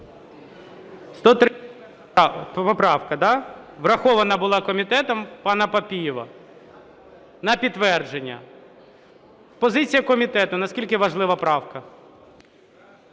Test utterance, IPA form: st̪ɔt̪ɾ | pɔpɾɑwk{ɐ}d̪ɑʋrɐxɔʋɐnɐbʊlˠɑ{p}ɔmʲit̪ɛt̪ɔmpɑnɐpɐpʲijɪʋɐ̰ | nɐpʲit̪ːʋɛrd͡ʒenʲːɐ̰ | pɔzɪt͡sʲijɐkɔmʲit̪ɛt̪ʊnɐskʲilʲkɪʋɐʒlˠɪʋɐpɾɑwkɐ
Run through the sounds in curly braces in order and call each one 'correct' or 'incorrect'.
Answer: correct, incorrect

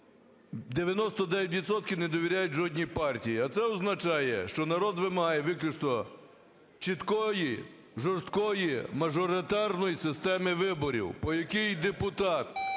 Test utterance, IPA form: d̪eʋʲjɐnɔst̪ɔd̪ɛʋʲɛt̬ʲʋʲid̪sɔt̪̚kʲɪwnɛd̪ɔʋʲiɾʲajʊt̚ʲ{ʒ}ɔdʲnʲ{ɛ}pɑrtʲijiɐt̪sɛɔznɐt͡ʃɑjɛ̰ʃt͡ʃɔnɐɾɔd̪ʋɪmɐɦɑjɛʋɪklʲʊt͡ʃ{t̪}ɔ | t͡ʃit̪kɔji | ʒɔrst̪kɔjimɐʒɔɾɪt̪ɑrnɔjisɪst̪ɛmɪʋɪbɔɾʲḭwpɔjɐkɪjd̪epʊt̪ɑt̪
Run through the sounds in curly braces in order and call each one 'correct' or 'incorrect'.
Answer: correct, incorrect, correct

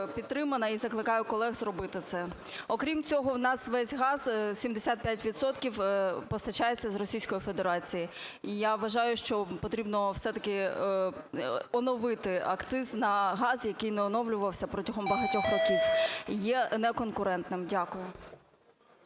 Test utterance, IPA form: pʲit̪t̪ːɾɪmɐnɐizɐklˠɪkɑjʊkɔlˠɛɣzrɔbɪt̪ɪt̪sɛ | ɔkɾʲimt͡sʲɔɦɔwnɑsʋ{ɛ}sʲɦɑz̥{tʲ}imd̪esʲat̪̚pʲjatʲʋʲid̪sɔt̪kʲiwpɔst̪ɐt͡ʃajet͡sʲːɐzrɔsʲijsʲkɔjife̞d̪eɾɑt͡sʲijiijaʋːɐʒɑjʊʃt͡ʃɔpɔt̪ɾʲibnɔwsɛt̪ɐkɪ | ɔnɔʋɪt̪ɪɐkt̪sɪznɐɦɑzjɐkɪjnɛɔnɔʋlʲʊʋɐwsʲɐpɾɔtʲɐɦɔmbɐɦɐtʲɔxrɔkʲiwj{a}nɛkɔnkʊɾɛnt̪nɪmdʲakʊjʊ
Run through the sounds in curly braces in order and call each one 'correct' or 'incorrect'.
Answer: correct, incorrect, incorrect

